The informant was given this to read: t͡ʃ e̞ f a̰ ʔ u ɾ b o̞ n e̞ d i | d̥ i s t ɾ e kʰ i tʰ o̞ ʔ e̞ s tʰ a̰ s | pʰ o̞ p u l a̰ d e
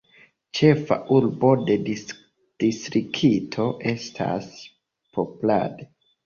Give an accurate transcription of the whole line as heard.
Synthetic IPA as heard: t͡ʃ e̞ f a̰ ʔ u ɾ b o̞ d e̞ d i | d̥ i s t ɾ i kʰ i tʰ o̞ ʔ e̞ s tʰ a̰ s | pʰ o̞ p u l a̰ d e